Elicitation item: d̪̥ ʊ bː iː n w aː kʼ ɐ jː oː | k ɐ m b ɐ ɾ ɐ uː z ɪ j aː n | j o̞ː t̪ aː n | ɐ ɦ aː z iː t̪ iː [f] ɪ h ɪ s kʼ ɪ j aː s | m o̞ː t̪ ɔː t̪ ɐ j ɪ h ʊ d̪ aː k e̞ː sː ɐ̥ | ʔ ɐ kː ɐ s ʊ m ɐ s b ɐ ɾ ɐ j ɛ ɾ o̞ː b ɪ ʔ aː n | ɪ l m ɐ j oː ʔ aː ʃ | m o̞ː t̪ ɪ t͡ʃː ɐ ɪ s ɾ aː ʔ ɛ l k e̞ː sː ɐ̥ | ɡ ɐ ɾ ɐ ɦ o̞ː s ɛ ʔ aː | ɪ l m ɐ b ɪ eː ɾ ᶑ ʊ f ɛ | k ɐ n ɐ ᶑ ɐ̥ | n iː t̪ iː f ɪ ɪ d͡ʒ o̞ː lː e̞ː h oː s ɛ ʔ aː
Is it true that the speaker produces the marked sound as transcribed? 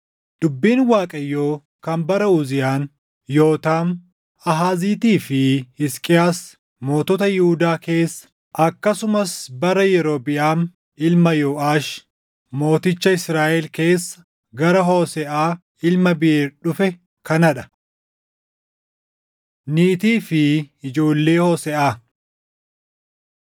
yes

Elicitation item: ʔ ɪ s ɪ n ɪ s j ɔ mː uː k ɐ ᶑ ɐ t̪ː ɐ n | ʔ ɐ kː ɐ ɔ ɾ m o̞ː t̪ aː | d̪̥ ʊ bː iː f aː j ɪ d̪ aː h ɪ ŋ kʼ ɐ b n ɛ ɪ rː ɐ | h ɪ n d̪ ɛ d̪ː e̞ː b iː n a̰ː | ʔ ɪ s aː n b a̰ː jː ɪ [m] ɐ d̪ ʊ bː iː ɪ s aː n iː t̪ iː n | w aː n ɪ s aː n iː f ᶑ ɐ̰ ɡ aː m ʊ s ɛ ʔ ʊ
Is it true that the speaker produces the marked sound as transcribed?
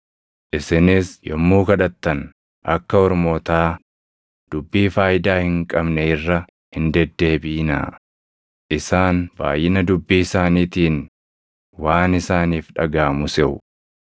no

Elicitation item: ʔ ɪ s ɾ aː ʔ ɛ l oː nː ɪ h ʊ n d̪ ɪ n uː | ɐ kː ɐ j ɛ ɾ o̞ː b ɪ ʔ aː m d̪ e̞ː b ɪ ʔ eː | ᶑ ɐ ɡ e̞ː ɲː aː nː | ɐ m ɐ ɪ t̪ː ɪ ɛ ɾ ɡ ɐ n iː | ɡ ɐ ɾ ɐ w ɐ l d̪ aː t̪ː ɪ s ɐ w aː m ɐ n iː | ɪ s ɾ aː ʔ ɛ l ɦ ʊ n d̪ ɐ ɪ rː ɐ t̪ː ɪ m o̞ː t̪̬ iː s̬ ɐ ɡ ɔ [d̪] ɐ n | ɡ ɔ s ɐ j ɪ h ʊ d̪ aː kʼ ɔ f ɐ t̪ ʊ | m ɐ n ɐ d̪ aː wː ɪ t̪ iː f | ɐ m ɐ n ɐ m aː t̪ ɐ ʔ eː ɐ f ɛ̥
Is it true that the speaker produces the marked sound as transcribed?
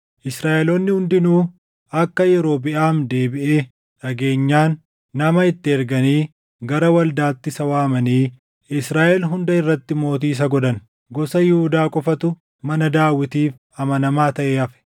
yes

